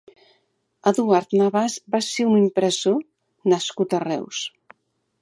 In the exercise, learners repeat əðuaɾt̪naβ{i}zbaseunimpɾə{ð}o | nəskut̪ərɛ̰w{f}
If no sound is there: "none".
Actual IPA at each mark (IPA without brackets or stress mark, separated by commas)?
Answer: a, z, s